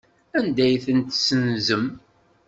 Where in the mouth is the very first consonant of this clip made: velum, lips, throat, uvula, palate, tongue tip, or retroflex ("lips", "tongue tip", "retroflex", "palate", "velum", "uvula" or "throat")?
tongue tip